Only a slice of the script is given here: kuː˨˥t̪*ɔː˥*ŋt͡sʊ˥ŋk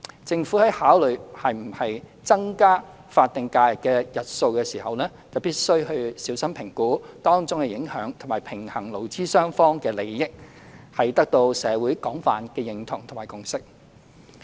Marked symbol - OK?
yes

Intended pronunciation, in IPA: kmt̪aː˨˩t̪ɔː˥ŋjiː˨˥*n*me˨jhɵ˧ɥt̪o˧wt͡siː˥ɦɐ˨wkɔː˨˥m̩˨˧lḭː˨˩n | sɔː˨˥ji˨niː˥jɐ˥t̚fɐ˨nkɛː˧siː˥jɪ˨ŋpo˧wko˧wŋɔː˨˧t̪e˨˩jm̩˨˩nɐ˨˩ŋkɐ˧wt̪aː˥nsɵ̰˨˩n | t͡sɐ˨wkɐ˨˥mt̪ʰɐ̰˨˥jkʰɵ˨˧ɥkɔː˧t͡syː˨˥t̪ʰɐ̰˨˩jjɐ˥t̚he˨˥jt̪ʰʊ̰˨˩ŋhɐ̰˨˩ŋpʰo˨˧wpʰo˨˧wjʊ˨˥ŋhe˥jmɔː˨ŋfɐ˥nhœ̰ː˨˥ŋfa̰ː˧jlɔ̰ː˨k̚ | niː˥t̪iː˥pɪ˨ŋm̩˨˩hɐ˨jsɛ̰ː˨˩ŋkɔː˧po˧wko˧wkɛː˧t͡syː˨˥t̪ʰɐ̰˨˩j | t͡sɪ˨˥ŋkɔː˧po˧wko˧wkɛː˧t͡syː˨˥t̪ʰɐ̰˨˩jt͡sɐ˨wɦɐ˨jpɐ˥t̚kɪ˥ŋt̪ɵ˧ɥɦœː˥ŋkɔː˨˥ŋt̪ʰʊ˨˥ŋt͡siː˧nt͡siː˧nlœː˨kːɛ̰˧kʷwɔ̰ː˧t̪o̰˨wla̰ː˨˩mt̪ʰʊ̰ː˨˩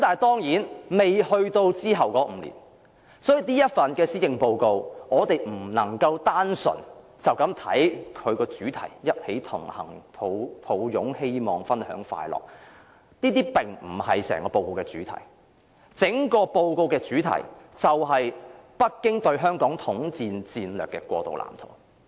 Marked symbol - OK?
yes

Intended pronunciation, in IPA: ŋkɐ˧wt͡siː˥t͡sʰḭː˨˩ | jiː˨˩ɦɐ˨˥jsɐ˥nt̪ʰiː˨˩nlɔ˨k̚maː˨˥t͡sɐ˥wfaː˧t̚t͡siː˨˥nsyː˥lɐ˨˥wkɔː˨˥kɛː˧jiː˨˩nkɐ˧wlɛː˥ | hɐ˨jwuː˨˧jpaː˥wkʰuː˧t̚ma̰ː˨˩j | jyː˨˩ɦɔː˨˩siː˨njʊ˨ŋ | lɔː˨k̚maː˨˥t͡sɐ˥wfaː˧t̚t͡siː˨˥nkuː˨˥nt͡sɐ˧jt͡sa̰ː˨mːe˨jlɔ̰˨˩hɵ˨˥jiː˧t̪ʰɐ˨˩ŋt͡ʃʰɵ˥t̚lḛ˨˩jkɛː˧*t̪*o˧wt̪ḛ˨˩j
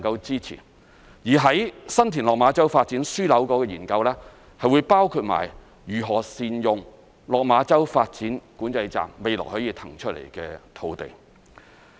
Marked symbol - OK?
no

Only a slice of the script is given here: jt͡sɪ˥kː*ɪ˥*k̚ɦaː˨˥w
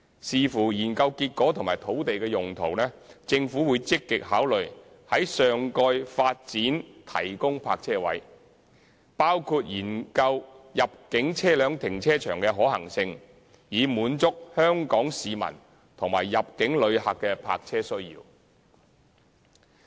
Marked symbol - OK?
no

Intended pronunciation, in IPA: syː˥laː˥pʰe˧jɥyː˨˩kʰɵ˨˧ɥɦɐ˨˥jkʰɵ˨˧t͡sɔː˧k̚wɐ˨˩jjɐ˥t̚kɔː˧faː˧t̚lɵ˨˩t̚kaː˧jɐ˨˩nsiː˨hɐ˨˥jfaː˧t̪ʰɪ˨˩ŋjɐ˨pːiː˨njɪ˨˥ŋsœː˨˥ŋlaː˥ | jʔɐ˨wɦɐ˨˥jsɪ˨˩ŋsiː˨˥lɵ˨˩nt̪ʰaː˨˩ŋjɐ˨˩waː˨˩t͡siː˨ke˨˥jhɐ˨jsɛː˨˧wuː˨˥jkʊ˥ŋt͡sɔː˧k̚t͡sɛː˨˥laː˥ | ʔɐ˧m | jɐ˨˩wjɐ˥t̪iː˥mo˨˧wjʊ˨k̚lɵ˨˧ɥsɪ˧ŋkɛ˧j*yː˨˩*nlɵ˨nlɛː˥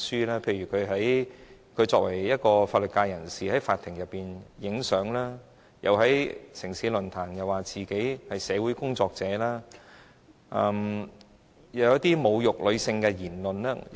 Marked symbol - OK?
no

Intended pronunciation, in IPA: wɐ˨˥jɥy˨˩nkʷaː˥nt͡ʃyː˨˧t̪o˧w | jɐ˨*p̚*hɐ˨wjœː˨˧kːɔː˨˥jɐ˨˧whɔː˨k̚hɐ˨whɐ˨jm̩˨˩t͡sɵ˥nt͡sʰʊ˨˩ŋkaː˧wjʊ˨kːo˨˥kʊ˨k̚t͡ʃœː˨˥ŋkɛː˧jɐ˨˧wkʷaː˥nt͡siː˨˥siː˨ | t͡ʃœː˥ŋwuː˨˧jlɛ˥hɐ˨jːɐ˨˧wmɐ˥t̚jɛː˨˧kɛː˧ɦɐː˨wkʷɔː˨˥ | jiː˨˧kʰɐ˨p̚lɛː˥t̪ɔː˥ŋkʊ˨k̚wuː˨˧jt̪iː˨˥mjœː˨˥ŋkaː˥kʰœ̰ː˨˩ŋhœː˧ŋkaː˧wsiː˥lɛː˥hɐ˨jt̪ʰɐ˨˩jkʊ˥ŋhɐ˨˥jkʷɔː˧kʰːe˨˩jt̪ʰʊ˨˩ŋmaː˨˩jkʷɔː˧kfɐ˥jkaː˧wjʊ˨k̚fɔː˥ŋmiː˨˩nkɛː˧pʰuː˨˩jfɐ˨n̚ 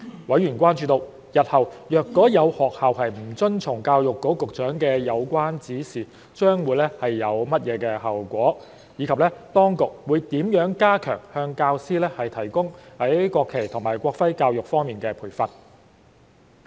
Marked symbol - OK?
no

